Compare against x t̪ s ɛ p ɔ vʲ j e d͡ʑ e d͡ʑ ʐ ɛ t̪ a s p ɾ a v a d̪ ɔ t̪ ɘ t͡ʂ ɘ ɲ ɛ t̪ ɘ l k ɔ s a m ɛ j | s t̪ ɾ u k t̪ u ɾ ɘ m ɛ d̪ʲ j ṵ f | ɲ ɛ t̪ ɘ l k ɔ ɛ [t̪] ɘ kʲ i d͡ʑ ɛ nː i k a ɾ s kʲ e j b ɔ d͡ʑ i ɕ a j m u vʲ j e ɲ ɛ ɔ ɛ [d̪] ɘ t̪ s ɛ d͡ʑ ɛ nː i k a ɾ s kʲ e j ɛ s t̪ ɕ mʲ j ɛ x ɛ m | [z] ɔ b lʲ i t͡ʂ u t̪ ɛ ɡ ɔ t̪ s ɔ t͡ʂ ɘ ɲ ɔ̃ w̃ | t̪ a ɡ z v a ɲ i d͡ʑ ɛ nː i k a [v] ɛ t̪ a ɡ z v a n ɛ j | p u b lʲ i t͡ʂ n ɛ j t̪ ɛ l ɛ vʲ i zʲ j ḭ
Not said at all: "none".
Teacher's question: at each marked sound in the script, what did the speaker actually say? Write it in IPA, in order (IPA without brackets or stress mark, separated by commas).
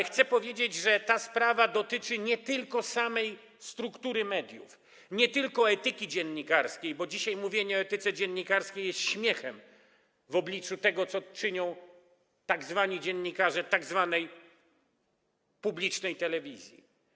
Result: t̪, t̪, v, ʐ